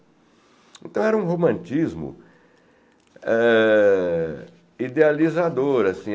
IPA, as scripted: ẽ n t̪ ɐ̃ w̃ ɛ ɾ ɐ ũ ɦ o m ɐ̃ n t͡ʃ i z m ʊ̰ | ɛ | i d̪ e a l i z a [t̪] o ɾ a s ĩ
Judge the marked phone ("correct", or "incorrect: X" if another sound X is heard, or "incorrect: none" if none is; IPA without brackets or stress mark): incorrect: d̪